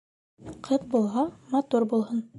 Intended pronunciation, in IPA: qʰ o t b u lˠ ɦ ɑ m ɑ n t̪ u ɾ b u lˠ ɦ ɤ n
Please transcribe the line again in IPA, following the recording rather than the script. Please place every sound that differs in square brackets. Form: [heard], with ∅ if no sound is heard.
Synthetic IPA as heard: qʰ [ɤ] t b u lˠ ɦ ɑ m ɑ [∅] t̪ u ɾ b u lˠ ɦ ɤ n